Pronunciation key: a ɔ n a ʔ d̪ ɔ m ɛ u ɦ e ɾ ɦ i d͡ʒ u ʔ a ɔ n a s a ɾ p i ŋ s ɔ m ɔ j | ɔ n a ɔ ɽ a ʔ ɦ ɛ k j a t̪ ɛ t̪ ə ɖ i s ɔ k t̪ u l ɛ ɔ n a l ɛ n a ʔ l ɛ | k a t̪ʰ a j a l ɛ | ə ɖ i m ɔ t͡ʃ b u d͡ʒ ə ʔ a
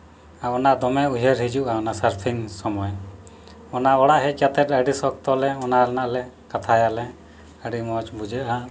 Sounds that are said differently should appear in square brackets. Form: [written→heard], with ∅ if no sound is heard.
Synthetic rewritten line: a ɔ n a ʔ d̪ ɔ m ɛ u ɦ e ɾ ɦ i d͡ʒ u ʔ a ɔ n a s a ɾ [p→pʰ] i ŋ s ɔ m ɔ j | ɔ n a ɔ ɽ a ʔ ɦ ɛ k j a t̪ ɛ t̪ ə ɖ i s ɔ k t̪ [u→ɔ] l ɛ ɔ n a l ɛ n a ʔ l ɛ | k a t̪ʰ a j a l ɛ | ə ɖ i m ɔ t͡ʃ b u d͡ʒ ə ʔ a